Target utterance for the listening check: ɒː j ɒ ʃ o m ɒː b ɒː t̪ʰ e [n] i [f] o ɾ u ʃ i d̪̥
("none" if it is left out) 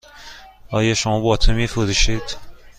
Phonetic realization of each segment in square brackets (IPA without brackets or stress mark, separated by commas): m, f